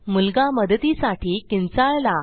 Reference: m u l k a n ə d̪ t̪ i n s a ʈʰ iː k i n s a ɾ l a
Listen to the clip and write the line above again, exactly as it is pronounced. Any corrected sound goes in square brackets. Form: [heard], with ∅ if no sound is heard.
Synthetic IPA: m u l [ɡ] a [m] ə d̪ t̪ i [∅] s a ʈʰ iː k i n [t͡s] a [ɭ] l a

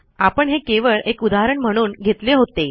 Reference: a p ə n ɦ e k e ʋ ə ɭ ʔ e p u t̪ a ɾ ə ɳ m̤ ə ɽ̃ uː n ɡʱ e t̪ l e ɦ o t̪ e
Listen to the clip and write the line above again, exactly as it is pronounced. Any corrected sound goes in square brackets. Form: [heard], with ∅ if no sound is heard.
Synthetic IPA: a p ə [ɳ] ɦ e k e ʋ ə ɭ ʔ e [k] u [d̪] a ɾ ə ɳ m̤ ə ɽ̃ uː n ɡʱ e t̪ l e ɦ o t̪ e

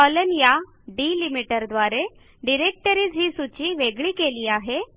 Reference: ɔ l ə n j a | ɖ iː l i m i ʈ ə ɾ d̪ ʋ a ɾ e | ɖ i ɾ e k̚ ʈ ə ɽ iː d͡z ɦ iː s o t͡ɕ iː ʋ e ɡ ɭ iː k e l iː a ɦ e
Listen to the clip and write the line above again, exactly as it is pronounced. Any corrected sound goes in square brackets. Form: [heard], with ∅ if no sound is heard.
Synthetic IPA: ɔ l ə n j a | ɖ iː l i m i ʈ ə ɾ d̪ ʋ a ɾ e | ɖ i ɾ e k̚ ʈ ə [ɾ] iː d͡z ɦ iː s [u] t͡ɕ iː ʋ e ɡ ɭ iː k e l iː a ɦ e

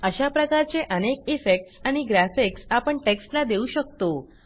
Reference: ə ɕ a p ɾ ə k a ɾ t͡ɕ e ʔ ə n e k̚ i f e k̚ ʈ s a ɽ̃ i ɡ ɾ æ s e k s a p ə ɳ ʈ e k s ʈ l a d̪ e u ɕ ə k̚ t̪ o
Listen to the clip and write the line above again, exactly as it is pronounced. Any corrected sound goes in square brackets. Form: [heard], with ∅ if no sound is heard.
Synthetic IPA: ə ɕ a p ɾ ə k a ɾ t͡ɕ e ʔ ə n e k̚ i f e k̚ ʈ s a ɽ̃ i ɡ ɾ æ [f] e k s a p ə ɳ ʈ e k s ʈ l a d̪ e u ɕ ə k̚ t̪ o

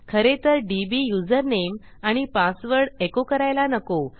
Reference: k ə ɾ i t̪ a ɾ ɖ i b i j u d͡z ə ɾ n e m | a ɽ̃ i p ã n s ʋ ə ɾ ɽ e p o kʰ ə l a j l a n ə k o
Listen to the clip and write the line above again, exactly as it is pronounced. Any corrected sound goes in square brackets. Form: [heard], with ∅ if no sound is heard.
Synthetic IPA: [kʰ] ə ɾ [e] t̪ [ə] ɾ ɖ i b i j u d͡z ə ɾ n e m | a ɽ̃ i p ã [∅] s ʋ ə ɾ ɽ e [k] o [k] ə [ɾ] a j l a n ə k o

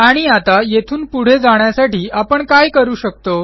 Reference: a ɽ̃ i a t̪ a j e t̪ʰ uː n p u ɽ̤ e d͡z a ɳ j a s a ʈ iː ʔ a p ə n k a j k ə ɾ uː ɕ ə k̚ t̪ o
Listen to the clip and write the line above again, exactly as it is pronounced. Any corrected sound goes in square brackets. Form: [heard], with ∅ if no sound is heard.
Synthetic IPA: a ɽ̃ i a t̪ a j e t̪ʰ uː n p u ɽ̤ e d͡z a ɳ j a s a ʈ iː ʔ a p ə [ɳ] k a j k ə ɾ uː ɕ ə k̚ t̪ o

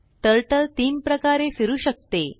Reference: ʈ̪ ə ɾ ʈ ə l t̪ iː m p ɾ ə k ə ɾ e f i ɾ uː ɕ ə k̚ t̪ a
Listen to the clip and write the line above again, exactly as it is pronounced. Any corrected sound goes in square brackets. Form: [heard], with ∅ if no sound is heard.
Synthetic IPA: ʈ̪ ə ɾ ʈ ə l t̪ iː m p ɾ ə k [a] ɾ e f i ɾ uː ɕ ə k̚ t̪ [e]

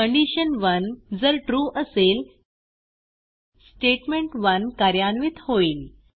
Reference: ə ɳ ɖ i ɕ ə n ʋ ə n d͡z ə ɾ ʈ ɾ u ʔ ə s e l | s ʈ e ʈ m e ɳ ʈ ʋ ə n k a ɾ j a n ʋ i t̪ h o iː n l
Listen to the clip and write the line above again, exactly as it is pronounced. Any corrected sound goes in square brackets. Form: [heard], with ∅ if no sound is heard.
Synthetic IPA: ə ɳ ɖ i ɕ ə n ʋ ə n d͡z ə ɾ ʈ ɾ u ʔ ə s e l | s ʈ e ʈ m e ɳ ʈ ʋ ə n k a ɾ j a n ʋ i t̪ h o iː [∅] l

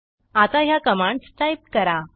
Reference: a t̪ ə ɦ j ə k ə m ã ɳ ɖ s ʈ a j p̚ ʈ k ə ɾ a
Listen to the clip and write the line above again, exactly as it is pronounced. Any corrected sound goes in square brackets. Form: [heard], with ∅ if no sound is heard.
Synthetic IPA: a t̪ [a] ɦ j [a] k ə m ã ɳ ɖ s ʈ a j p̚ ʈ k ə ɾ a

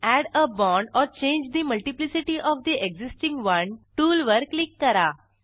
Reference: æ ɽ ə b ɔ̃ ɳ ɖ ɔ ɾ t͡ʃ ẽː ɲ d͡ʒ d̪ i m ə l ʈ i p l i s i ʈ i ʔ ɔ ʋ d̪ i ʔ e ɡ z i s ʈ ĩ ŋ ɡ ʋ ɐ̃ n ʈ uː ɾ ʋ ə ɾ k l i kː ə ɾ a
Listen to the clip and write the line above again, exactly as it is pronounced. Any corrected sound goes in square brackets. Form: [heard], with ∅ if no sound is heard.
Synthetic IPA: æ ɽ ə b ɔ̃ ɳ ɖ ɔ ɾ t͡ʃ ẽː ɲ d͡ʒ d̪ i m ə l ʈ i p l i s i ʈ i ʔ ɔ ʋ d̪ i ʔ e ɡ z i s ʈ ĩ ŋ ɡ ʋ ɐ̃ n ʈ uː [l] ʋ ə ɾ k l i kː ə ɾ a

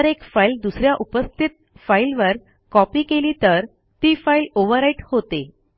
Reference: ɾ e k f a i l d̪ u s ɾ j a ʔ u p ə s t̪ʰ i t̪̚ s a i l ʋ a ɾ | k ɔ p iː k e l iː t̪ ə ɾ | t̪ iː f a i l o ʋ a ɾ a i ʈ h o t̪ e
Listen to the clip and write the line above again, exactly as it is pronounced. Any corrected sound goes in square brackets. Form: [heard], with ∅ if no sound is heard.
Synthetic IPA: ɾ e k f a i l d̪ u s ɾ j a ʔ u p ə s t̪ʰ i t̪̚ [f] a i l ʋ [ə] ɾ | k ɔ p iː k e l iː t̪ ə ɾ | t̪ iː f a i l o ʋ [ə] ɾ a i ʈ h o t̪ e

